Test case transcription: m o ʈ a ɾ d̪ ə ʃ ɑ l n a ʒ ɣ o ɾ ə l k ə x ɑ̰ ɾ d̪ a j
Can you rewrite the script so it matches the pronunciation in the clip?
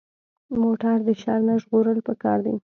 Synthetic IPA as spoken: m o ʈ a ɾ d̪ ə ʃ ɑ ɾ n a ʒ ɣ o ɾ ə l p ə k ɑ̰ ɾ d̪ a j